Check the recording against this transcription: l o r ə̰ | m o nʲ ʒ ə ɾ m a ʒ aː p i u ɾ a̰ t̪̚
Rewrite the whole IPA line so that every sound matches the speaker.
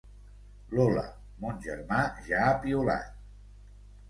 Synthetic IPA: l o l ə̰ | m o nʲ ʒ ə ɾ m a ʒ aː p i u l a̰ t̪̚